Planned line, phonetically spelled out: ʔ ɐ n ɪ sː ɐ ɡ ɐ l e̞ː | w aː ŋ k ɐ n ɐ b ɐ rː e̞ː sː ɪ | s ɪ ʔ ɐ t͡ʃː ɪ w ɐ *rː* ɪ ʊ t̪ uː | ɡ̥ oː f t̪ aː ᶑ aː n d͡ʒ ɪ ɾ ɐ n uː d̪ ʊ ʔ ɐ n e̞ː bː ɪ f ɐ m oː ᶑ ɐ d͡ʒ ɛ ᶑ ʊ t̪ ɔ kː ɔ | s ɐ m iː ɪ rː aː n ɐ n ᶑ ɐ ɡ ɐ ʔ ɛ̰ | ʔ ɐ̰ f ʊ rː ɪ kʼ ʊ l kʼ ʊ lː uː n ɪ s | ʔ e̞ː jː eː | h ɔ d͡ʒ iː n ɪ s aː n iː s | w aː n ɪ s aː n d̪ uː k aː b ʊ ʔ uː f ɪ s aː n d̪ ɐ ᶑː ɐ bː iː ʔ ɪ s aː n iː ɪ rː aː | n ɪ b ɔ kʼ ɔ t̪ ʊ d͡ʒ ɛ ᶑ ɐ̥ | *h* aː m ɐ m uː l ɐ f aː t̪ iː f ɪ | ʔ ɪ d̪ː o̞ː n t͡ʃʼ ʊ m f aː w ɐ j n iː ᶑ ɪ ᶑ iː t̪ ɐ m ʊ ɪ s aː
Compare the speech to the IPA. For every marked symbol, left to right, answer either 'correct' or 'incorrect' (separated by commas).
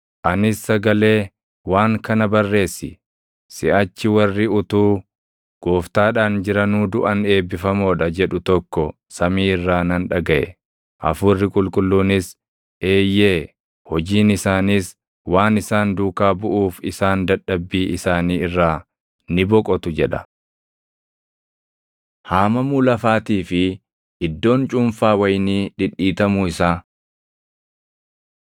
correct, correct